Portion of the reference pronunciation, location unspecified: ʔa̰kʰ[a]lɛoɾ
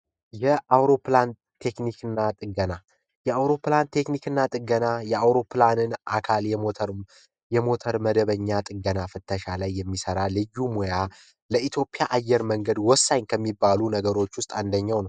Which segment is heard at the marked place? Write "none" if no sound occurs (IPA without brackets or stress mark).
a